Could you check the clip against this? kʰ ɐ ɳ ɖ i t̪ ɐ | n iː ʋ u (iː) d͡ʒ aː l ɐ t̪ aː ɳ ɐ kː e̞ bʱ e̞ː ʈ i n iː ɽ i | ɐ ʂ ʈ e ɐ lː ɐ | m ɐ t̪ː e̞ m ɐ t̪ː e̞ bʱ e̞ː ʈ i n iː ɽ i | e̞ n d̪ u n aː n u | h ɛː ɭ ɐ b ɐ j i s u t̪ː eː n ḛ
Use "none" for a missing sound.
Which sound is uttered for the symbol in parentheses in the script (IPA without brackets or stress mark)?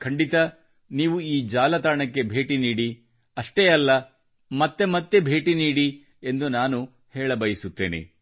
iː